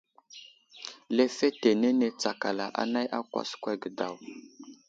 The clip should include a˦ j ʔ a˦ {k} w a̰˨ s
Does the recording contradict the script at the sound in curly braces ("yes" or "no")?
no